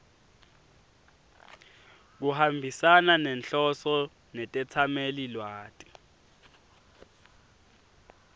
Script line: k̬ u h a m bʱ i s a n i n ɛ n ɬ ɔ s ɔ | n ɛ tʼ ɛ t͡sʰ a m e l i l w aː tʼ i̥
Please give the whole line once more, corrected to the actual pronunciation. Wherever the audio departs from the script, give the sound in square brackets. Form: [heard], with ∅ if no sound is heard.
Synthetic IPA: k̬ u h a m bʱ i s a n [a] n ɛ n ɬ ɔ s ɔ | n ɛ tʼ ɛ t͡sʰ a m e l i l w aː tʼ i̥

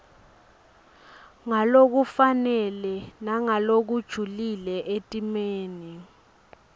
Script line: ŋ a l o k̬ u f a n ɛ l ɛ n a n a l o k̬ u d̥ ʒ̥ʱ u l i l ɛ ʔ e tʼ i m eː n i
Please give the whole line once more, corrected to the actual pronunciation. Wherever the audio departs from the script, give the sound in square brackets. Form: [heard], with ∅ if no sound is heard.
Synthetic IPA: ŋ a l o k̬ u f a n ɛ l ɛ n a [ŋ] a l o k̬ u d̥ ʒ̥ʱ u l i l ɛ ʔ e tʼ i m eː n i

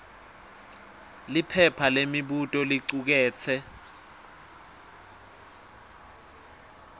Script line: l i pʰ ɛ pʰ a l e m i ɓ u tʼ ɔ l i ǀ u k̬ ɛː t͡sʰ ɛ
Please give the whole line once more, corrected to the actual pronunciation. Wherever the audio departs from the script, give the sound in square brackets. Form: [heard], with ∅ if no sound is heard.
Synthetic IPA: l i pʰ ɛ pʰ a l e m i ɓ u tʼ ɔ l i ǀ u k̬ ɛː t͡sʰ ɛ

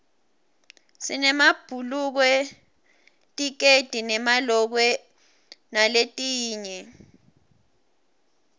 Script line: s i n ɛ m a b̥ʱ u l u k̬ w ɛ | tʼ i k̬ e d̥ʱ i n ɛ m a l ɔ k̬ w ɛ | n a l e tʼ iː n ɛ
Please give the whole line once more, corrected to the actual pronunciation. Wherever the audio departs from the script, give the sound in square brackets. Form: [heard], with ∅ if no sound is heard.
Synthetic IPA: s i n ɛ m a b̥ʱ u l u k̬ w ɛ | tʼ i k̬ e d̥ʱ i n ɛ m a l ɔ k̬ w ɛ | n a l e tʼ iː [ɲ] ɛ

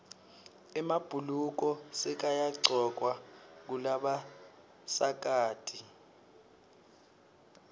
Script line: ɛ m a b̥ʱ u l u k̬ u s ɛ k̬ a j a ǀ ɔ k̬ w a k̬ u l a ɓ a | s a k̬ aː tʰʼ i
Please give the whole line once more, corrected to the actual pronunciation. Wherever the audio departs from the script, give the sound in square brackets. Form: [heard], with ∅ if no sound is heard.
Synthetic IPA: ɛ m a b̥ʱ u l u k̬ [ɔ] s ɛ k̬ a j a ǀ ɔ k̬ w a k̬ u l a ɓ a | s a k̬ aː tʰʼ i

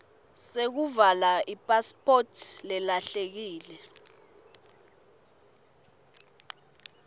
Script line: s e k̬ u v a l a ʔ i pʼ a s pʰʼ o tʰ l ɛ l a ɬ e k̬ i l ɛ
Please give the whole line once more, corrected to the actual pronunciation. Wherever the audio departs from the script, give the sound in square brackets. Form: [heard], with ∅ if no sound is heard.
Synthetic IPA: s e k̬ u v a l a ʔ i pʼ a s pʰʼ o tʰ l ɛ l a ɬ e k̬ [iː] l ɛ

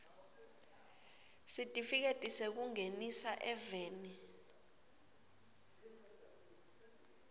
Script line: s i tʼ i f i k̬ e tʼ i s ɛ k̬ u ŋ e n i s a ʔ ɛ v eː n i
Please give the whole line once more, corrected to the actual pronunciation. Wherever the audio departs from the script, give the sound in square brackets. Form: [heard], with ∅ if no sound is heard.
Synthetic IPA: s i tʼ i f i k̬ e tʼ i s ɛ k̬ u ŋ e n i s a ʔ ɛ v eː n i

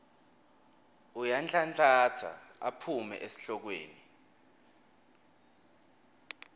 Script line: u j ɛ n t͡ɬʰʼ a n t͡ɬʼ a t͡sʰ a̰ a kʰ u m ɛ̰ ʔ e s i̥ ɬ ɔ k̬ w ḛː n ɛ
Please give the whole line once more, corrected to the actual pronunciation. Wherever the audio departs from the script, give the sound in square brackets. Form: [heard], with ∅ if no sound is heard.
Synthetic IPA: u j [a] n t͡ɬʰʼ a n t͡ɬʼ a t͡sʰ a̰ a [pʰ] u m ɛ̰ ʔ e s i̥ ɬ ɔ k̬ w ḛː n [i]

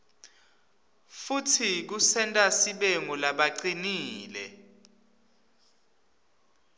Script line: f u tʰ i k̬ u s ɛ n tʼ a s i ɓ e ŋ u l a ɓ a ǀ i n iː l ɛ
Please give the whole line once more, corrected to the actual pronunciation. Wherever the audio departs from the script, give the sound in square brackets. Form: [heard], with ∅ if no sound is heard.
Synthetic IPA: f u tʰ i k̬ u s ɛ n tʼ a s i ɓ e ŋ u l a ɓ a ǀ i n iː l ɛ

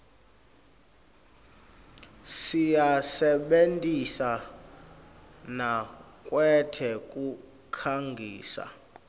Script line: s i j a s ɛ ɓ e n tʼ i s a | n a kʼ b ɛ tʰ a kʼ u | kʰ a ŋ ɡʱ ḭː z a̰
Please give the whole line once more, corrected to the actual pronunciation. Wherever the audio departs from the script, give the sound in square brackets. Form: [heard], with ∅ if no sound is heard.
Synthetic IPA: s i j a s ɛ ɓ e n tʼ i s a | n a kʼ [w] ɛ tʰ [ɛ] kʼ u | kʰ a ŋ ɡʱ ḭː [s] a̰

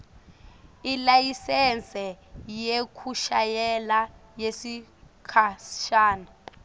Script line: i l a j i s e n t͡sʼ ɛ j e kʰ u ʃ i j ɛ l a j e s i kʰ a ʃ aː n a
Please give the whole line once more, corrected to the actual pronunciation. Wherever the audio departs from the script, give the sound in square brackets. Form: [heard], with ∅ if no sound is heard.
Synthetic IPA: i l a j i s [ɛ] n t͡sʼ ɛ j e kʰ u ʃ [a] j ɛ l a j e s i kʰ a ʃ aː n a

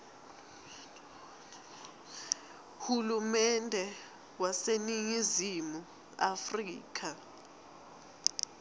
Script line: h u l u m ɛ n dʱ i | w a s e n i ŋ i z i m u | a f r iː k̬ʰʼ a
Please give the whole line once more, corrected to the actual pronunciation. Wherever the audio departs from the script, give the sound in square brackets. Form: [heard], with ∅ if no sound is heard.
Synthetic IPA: h u l u m ɛ n dʱ [ɛ] | w a s e n i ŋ i z i m u | a f r iː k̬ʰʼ a

